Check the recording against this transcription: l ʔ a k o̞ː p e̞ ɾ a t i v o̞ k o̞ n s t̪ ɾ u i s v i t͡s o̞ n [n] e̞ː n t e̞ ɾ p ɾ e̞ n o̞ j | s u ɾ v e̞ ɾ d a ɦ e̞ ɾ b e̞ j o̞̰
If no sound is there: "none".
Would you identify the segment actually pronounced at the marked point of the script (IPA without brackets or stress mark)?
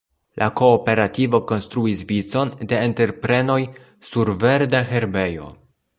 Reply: d